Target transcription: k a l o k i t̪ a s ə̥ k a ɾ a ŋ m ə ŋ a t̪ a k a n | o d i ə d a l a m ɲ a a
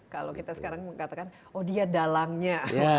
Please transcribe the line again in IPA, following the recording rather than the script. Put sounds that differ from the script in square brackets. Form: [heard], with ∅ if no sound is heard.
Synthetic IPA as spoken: k a l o k i t̪ a s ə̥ k a ɾ a ŋ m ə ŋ a t̪ a k a n | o d i [a] d a l a [ŋ] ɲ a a